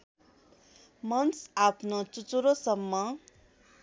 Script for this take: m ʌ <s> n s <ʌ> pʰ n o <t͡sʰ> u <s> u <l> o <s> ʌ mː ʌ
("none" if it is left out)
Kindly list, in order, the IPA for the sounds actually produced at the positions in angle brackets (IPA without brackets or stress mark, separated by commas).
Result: none, a, t͡s, t͡s, ɾ, s